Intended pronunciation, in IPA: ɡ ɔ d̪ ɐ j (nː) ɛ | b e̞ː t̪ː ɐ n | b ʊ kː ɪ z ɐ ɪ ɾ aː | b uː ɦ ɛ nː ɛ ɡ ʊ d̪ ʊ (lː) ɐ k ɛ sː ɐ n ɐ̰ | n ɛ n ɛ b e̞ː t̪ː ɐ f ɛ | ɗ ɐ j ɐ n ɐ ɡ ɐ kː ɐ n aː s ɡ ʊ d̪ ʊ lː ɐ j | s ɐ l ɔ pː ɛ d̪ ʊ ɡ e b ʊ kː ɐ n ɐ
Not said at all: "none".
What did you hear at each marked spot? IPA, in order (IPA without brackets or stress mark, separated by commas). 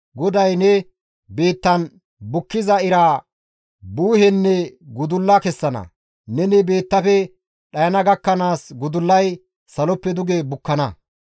n, lː